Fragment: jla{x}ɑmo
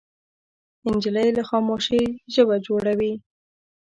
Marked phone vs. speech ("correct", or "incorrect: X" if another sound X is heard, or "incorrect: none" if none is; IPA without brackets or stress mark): correct